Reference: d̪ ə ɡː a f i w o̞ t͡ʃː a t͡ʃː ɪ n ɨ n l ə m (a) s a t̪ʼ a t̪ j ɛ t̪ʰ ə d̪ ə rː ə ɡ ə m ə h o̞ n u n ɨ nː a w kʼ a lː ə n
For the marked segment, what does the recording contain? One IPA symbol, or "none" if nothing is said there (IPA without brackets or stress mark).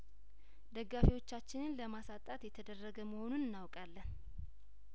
a